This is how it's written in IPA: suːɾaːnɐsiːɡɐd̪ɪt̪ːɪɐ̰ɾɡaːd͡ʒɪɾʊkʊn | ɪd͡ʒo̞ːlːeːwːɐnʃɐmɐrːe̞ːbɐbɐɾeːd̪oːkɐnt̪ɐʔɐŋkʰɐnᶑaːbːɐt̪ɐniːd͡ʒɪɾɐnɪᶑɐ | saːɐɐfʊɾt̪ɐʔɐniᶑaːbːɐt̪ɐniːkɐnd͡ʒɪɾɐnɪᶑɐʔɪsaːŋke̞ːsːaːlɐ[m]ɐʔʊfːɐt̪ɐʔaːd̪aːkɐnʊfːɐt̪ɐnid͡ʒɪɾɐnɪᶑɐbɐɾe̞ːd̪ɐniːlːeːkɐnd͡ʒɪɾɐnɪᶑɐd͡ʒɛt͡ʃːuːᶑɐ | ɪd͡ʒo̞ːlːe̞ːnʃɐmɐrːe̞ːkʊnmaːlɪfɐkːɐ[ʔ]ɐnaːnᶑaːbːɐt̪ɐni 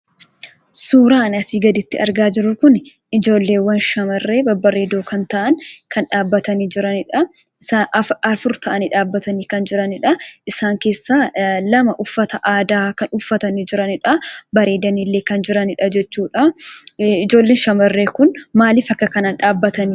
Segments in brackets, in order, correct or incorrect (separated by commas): correct, incorrect